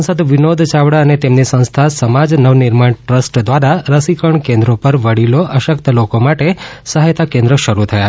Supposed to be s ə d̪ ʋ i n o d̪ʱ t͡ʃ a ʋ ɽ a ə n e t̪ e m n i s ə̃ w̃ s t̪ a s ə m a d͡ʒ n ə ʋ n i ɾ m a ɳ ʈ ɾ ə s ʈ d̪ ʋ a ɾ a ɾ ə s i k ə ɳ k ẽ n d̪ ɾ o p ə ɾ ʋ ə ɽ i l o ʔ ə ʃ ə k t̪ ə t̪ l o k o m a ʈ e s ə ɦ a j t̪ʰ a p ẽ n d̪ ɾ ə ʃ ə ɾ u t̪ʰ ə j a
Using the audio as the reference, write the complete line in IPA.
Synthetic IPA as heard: s ə d̪ ʋ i n o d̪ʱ t͡ʃ a ʋ ɽ a ə n e t̪ e m n i s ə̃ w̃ s t̪ʰ a s ə m a d͡ʒ n ə ʋ n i ɾ m a ɳ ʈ ɾ ə s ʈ d̪ ʋ a ɾ a ɾ ə s i k ə ɳ k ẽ n d̪ ɾ o p ə ɾ ʋ ə ɽ i l o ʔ ə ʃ ə k t̪ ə l o k o m a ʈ e s ə ɦ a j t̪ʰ a k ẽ n d̪ ɾ ə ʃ ə ɾ u t̪ʰ ə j a